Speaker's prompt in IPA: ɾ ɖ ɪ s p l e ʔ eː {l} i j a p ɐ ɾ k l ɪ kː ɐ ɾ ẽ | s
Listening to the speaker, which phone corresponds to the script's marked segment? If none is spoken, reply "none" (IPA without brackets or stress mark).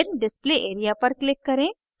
ɾ